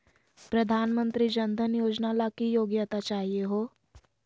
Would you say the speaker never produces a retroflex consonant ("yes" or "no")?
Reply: yes